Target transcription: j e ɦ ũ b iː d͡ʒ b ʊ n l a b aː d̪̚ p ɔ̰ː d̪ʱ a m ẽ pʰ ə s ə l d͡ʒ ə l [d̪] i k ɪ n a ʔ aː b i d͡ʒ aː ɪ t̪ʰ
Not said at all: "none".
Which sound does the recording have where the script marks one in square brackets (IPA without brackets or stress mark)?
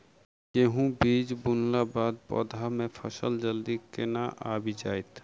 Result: d̪